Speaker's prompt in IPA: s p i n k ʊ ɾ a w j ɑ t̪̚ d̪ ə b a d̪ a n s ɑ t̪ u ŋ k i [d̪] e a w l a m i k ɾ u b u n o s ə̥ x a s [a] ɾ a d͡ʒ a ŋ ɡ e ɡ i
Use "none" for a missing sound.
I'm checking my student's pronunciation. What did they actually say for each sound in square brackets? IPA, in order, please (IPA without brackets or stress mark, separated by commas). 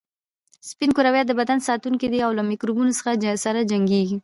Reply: d̪, a